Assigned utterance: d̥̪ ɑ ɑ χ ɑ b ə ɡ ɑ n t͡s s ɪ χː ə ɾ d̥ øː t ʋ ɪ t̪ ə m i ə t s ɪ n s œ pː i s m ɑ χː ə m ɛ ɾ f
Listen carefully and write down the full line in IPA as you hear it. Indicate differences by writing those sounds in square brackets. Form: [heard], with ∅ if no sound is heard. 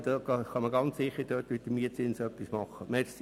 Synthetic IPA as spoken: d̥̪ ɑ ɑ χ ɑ [m] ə ɡ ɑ n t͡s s ɪ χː ə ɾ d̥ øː t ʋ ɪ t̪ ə m i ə t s ɪ n s œ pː i s m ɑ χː ə m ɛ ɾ [s]